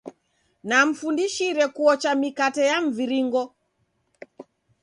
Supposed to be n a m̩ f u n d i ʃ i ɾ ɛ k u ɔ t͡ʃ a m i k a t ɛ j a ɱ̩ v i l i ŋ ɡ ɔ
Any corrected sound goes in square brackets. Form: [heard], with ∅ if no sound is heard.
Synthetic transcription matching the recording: n a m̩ f u n d i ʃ i ɾ ɛ k u ɔ t͡ʃ a m i k a t ɛ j a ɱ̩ v i [ɾ] i ŋ ɡ ɔ